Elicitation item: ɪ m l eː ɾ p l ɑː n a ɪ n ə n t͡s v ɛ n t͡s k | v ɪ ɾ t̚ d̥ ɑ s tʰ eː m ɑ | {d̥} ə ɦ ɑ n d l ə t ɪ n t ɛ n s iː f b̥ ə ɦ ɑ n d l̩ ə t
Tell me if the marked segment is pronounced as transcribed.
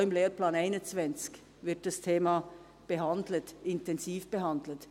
no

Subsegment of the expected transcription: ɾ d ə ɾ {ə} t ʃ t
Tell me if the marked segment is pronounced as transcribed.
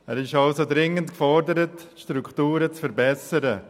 yes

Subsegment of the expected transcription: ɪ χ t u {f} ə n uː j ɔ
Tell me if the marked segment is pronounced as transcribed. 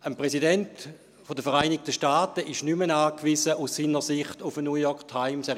yes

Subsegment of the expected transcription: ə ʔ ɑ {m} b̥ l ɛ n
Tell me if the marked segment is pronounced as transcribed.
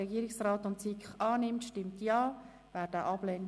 no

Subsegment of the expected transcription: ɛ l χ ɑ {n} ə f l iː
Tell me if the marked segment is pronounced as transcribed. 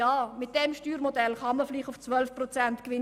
no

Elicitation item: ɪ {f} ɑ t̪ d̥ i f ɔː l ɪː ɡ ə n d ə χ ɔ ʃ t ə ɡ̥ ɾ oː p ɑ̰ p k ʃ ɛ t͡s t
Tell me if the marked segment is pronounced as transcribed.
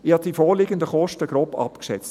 no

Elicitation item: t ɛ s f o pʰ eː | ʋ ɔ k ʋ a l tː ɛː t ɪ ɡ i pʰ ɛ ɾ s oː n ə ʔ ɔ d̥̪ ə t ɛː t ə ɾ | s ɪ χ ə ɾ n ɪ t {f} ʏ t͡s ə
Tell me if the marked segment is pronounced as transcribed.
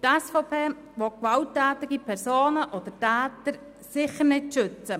no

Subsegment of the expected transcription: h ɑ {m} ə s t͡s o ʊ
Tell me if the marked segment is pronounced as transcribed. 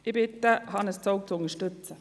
no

